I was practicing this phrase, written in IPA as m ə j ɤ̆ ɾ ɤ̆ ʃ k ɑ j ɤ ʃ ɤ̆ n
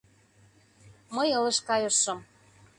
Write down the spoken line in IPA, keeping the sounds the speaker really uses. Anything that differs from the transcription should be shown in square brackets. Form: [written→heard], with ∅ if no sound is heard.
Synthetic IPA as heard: m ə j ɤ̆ [ɾ→l] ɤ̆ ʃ k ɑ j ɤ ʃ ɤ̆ [n→m]